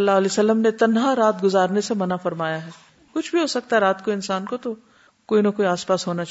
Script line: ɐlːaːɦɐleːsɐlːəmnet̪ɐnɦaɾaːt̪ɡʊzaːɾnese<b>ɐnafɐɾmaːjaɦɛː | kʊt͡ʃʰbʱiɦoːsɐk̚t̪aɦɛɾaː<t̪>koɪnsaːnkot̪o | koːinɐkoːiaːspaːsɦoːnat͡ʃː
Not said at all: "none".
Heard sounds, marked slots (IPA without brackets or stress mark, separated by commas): m, t̪